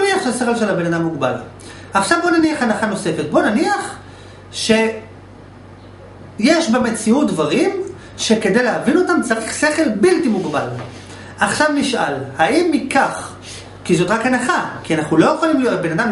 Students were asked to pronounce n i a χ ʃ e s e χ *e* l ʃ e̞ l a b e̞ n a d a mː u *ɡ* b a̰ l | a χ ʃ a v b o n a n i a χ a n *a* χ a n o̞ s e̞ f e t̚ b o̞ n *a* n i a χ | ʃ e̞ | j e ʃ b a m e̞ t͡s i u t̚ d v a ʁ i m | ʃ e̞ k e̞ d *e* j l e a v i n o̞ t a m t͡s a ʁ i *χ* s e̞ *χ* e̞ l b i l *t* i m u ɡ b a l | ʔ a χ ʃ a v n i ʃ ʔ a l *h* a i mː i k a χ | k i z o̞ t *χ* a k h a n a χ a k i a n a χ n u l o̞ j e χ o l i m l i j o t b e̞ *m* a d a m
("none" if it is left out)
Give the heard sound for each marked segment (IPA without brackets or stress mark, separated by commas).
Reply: e, ɡ, a, a, e, χ, χ, t, h, ʁ, n